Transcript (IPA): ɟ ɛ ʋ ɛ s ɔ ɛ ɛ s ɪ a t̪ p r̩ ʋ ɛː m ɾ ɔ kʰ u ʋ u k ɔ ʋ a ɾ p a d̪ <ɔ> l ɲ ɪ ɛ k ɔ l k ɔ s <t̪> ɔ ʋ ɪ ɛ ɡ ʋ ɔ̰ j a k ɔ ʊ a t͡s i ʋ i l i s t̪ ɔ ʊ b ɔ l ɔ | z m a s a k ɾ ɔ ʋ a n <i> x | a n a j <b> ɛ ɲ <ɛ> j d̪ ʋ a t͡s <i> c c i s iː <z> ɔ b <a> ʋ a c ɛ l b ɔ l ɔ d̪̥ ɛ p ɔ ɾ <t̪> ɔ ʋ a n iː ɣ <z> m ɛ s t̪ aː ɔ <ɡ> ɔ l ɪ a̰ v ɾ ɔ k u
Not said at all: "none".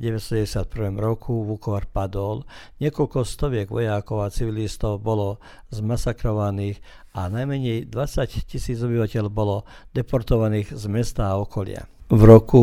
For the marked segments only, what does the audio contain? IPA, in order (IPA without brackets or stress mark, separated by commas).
ɔ, t̪, iː, m, ɛ, a, d͡z, i, t̪, z, k